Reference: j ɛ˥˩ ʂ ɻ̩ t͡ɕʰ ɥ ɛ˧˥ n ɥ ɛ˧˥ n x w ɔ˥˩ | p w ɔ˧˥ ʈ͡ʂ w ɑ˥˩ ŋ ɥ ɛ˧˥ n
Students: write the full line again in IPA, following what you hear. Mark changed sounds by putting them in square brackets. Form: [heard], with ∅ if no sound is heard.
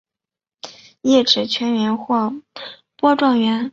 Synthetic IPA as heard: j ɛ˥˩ [ʈ͡ʂ] ɻ̩ t͡ɕʰ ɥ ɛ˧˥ n ɥ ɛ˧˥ n x w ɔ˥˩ | p w [ɔ˥] ʈ͡ʂ w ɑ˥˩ ŋ ɥ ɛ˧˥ n